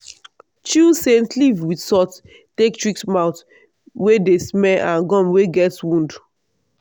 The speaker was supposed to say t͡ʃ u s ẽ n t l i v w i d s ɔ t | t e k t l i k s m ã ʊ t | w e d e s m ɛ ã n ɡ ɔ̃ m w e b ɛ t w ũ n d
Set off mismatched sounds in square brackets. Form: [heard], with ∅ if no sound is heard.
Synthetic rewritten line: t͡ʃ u s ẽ n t l i v w i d s ɔ t | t e k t [ɹ] i k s m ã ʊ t | w e d e s m ɛ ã n ɡ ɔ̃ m w e [ɡ] ɛ t w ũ n d